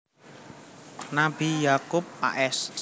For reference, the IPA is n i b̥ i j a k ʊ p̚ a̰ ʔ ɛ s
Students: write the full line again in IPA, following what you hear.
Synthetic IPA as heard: n a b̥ i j a k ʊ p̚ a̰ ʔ ɛ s